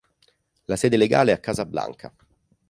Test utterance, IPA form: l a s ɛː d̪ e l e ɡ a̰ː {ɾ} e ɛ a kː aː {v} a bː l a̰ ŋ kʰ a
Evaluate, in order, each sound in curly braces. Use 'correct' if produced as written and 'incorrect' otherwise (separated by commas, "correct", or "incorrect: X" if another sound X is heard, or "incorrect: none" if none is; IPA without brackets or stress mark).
incorrect: l, incorrect: z